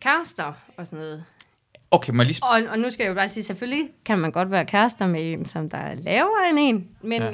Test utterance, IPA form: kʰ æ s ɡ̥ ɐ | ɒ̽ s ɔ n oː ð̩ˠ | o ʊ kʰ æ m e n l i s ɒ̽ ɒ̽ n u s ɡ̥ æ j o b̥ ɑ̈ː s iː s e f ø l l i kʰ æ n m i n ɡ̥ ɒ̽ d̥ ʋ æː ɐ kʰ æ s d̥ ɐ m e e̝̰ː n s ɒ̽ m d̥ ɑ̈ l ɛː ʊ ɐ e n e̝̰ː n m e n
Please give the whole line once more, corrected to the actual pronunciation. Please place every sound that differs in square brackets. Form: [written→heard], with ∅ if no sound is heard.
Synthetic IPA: kʰ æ s [ɡ̥→d̥] ɐ | ɒ̽ s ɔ n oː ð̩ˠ | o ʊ kʰ [æ→e] m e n l i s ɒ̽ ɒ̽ n u s ɡ̥ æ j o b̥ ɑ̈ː s iː s e f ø l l i kʰ æ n m [i→æ] n ɡ̥ ɒ̽ d̥ ʋ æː ɐ kʰ æ s d̥ ɐ m e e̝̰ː n s ɒ̽ m d̥ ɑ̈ l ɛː ʊ ɐ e n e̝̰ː n m e n